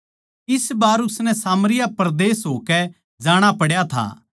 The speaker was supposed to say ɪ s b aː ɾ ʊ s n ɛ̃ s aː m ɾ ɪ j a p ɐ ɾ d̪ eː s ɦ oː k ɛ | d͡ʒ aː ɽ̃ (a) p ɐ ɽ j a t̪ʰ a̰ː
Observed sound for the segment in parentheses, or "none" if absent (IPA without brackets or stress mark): a